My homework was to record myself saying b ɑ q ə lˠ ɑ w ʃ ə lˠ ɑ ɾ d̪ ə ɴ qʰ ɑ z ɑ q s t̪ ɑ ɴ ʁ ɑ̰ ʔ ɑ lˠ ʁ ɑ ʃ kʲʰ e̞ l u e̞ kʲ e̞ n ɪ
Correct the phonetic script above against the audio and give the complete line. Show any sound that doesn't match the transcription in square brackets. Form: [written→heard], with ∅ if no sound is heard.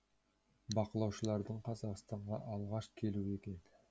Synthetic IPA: b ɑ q ə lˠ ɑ w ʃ ə lˠ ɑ ɾ d̪ ə ɴ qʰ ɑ z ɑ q s t̪ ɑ ɴ ʁ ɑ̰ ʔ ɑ lˠ ʁ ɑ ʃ kʲʰ e̞ l u e̞ kʲ e̞ n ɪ

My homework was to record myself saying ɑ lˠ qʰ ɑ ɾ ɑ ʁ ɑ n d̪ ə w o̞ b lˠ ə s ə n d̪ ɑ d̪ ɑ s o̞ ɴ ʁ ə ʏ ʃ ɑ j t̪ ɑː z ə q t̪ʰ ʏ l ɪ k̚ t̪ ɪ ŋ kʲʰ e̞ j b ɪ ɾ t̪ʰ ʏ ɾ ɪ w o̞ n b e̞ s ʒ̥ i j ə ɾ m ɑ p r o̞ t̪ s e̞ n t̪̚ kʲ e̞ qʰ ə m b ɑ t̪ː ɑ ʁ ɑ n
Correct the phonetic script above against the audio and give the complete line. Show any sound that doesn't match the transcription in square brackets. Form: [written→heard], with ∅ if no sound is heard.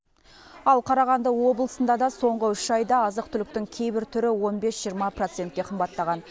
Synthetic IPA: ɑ lˠ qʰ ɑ ɾ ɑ ʁ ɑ n d̪ ə w o̞ b lˠ ə s ə n d̪ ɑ d̪ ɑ s o̞ ɴ ʁ ə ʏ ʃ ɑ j [t̪→d̪] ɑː z ə q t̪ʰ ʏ l ɪ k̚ t̪ ɪ ŋ kʲʰ e̞ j b ɪ ɾ t̪ʰ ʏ ɾ ɪ w o̞ n b e̞ s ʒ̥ i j ə ɾ m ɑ p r o̞ t̪ s e̞ n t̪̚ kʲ e̞ qʰ ə m b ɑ t̪ː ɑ ʁ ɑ n

